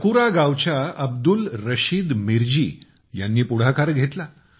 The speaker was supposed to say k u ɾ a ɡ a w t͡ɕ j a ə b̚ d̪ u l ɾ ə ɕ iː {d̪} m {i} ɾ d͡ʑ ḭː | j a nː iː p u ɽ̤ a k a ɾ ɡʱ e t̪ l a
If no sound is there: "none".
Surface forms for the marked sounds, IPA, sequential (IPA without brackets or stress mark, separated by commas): d̪, i